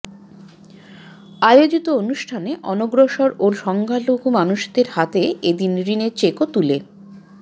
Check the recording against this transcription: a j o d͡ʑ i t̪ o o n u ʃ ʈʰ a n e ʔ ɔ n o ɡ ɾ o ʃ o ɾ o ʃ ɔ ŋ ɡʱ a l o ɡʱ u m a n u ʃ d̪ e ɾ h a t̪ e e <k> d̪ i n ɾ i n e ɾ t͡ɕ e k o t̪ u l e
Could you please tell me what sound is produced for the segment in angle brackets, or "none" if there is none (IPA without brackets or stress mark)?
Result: none